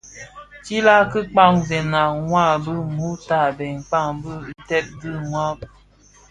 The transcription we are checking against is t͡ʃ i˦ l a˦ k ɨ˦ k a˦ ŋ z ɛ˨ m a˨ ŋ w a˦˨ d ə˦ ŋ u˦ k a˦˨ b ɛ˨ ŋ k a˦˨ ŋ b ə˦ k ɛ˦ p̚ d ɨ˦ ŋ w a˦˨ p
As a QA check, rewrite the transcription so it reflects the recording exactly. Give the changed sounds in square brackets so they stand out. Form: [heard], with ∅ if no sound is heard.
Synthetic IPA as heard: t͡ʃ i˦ l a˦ k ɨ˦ [k͡p] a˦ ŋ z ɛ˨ [n] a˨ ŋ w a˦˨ [b] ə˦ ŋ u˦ [t] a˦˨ b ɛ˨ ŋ [k͡p] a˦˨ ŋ b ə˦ [t] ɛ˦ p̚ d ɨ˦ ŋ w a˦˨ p